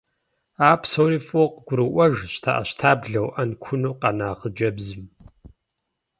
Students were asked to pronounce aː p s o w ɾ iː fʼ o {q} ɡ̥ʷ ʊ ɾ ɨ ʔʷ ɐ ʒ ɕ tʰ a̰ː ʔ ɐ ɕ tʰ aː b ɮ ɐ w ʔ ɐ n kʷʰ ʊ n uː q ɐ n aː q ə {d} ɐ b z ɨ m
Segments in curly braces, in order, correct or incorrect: correct, incorrect: d͡ʒ

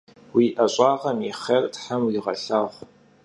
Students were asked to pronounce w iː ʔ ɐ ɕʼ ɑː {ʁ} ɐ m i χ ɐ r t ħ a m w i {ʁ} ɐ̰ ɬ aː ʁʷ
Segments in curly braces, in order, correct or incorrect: correct, correct

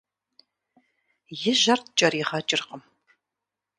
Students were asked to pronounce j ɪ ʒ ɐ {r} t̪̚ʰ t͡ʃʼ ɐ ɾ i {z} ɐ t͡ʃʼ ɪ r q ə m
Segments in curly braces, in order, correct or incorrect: correct, incorrect: ʁ

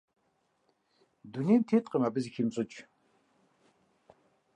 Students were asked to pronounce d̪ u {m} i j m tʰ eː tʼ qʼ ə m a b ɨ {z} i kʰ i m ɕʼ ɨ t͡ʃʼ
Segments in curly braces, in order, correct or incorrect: incorrect: n, correct

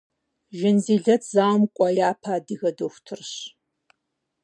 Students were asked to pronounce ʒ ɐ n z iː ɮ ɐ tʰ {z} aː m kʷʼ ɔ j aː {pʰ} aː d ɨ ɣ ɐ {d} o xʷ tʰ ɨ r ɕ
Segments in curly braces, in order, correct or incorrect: correct, correct, correct

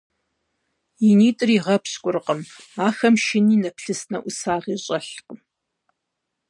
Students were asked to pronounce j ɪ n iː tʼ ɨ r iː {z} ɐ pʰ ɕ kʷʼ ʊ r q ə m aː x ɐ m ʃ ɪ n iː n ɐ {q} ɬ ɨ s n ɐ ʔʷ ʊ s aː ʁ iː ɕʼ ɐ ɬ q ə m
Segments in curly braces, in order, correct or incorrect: incorrect: ʁ, incorrect: p

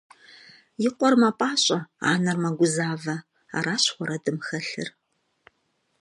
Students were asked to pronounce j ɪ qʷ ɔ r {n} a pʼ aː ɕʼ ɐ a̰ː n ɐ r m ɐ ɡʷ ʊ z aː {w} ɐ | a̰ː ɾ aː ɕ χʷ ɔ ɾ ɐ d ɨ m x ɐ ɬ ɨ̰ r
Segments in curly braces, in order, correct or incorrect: incorrect: m, incorrect: v

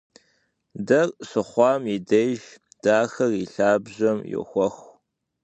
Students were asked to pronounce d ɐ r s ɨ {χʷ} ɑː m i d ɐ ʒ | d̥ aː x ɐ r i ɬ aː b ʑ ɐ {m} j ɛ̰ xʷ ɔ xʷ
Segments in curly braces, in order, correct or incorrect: correct, correct

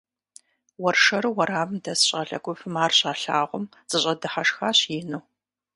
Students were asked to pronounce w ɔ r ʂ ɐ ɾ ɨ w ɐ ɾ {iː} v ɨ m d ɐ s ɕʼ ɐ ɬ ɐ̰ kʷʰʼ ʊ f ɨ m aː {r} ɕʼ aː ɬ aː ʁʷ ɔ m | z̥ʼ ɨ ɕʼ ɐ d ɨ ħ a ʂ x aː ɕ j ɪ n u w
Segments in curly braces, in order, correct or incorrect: incorrect: aː, correct

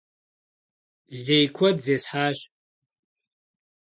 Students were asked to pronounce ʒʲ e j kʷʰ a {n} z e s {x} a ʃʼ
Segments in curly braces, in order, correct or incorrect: incorrect: d, incorrect: ħ

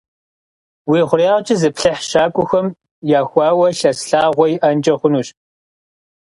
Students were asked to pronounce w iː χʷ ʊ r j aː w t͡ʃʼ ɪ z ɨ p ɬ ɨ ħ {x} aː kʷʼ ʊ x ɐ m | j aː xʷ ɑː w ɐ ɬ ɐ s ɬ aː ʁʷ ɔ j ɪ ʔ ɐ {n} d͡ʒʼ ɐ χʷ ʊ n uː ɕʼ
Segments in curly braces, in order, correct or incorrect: incorrect: ʃ, correct

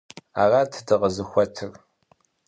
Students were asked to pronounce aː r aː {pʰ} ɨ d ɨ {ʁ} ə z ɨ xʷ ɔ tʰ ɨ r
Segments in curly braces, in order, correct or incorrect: incorrect: tʰ, correct

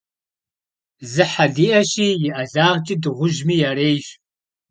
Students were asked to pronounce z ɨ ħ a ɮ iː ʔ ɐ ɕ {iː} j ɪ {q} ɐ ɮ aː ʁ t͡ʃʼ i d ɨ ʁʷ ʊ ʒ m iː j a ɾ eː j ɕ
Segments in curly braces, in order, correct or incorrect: correct, incorrect: ʔ

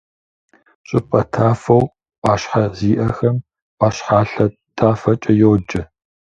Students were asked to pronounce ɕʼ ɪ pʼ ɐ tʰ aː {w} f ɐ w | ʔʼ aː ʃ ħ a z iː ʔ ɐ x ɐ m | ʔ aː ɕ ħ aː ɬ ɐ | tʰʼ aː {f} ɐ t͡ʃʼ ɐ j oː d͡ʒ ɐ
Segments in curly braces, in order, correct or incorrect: incorrect: none, correct

